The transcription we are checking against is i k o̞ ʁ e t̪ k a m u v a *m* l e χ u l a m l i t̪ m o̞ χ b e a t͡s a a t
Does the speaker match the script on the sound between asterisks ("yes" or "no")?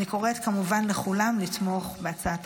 no